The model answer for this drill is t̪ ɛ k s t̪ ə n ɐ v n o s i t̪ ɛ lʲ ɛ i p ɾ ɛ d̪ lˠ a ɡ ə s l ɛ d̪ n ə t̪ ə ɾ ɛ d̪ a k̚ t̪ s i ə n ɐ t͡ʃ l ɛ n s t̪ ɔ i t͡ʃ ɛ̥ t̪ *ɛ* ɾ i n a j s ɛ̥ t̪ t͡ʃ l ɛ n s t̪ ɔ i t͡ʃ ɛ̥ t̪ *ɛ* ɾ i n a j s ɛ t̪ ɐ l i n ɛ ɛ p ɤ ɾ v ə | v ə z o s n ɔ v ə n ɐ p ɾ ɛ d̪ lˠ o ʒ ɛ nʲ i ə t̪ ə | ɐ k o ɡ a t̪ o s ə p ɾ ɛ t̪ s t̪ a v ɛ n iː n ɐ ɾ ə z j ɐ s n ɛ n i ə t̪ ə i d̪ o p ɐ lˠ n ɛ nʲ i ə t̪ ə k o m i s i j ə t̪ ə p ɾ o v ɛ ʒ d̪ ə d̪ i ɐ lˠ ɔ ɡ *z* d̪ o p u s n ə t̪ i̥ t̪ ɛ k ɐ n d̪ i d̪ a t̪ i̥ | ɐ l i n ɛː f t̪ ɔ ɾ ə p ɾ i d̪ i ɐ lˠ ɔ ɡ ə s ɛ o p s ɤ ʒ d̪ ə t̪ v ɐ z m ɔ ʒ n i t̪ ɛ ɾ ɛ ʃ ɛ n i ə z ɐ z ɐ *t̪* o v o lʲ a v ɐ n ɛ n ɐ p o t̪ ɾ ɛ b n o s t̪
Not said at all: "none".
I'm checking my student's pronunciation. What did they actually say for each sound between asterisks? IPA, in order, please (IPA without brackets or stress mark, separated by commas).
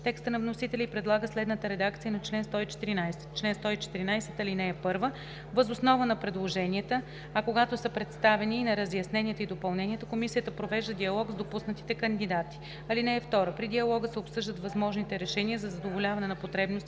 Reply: i, i, z, d̪